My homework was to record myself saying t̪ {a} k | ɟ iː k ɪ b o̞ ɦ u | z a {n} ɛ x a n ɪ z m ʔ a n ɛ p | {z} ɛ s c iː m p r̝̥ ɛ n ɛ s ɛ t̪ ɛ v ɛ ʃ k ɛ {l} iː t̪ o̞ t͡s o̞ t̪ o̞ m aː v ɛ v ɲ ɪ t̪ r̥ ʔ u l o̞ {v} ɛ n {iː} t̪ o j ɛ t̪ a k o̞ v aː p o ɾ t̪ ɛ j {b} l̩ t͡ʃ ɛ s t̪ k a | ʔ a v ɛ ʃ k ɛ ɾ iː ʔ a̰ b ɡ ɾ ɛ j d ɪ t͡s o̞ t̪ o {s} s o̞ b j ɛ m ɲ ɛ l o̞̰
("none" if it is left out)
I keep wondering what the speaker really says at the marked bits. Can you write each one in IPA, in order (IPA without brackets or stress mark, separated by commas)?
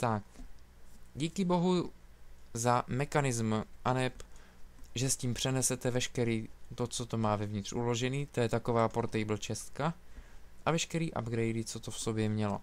a, m, ʒ, ɾ, ʒ, iː, b, f